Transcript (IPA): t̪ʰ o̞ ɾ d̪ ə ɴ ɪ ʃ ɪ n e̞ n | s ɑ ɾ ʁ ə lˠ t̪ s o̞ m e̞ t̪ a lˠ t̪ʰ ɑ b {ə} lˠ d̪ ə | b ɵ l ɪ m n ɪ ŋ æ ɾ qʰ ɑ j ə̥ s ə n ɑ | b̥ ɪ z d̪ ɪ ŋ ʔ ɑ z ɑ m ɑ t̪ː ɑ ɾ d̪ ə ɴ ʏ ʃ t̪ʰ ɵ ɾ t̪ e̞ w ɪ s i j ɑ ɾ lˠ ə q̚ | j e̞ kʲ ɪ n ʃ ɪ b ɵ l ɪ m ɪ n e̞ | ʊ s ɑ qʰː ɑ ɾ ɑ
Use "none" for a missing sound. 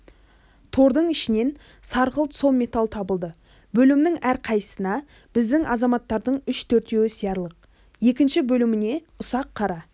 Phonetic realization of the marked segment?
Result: ə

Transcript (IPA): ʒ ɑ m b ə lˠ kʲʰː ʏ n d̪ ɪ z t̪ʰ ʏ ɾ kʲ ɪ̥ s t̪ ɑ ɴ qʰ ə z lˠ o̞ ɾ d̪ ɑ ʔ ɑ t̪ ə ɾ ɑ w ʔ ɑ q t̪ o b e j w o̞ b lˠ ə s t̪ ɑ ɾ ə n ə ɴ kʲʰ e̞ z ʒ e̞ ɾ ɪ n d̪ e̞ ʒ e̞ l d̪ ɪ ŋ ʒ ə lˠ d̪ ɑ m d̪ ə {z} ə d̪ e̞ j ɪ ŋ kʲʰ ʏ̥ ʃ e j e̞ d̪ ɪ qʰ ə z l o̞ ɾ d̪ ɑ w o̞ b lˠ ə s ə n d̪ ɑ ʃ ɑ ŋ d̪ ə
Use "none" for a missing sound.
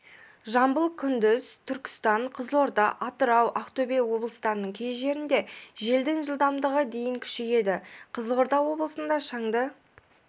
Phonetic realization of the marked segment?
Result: ʁ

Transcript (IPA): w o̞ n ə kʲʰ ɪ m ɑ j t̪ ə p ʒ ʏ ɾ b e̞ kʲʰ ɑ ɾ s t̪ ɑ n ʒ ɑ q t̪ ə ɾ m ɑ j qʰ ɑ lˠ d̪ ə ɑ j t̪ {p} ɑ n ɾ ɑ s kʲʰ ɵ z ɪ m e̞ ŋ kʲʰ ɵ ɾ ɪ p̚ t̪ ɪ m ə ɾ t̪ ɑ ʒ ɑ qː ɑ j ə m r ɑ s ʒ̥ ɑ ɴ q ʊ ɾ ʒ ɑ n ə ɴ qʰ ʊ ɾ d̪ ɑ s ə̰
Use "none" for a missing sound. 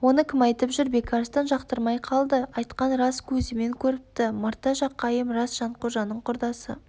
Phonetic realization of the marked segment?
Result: q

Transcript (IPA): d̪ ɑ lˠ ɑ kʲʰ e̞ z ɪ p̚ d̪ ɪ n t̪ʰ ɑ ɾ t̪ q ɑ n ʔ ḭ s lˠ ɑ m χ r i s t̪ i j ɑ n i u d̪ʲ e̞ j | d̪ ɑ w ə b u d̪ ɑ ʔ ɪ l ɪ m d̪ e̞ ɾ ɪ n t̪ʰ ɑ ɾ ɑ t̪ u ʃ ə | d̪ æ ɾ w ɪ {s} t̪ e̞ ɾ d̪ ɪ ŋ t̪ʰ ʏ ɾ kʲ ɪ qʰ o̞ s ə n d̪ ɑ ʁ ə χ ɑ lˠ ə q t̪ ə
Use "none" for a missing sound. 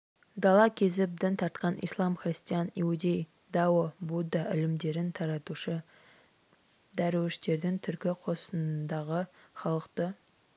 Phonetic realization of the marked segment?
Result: ʃ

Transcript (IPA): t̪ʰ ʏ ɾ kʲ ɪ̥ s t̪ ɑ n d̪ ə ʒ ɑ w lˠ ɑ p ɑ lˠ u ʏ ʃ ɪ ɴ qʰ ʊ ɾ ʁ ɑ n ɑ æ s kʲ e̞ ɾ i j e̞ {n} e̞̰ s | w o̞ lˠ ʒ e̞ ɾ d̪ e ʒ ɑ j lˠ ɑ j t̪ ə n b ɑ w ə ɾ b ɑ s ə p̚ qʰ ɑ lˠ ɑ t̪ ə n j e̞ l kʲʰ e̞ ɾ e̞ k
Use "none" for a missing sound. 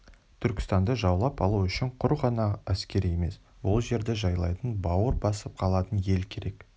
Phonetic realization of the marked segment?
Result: m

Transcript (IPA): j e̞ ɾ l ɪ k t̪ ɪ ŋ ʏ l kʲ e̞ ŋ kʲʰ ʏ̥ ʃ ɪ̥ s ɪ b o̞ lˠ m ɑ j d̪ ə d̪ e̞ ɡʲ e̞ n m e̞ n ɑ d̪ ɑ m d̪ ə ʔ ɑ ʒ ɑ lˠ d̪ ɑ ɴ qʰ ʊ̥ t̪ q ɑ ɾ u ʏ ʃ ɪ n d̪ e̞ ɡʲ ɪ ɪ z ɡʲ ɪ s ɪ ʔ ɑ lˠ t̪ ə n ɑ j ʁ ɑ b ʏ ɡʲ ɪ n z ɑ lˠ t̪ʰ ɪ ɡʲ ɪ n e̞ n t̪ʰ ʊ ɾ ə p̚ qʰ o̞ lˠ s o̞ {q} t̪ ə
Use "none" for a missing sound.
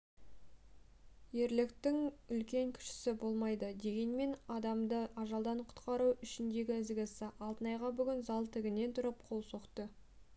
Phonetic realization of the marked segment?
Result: q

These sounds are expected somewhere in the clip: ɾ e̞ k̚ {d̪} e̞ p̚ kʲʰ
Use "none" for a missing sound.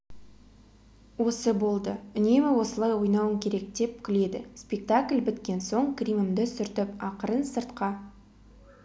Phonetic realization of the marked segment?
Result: d̪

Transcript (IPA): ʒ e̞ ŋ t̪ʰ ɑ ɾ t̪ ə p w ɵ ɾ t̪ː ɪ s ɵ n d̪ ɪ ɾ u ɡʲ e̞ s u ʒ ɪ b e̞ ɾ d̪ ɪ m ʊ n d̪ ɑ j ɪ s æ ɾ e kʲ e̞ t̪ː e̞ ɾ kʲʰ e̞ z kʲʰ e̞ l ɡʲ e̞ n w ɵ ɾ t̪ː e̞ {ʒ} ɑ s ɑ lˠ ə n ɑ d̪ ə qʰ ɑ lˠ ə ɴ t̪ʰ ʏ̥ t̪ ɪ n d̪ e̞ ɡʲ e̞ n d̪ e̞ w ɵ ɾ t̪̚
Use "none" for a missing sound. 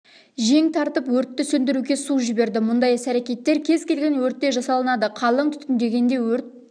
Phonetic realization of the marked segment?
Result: ʒ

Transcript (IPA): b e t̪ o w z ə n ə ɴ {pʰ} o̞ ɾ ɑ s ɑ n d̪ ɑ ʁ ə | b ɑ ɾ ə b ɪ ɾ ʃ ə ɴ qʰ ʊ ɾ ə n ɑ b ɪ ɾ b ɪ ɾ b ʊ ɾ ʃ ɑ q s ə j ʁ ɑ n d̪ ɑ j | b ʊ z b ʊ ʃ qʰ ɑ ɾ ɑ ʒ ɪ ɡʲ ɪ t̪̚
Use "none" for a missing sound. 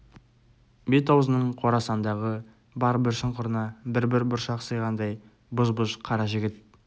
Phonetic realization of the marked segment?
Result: qʰ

